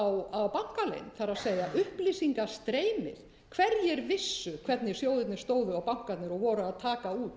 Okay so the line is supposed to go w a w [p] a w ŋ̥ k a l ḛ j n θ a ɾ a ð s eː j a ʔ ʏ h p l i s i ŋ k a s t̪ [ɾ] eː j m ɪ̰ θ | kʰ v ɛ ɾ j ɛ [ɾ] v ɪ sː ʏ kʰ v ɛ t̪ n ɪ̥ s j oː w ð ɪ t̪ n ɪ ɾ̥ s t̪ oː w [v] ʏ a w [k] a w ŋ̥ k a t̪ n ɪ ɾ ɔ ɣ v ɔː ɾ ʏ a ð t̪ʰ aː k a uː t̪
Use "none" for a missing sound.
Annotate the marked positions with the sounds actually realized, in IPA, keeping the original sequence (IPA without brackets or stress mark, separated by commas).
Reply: p, ɾ, ɾ, ð, p